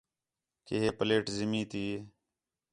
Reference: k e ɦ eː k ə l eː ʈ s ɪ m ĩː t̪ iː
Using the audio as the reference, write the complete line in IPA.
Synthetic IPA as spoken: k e ɦ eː p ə l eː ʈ z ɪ m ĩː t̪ iː